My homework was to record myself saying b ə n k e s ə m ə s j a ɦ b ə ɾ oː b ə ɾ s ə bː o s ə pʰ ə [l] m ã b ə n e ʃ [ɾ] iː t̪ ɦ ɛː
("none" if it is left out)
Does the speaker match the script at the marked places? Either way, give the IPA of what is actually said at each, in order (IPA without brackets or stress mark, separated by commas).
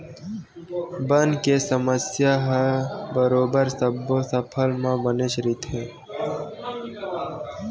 l, ɾ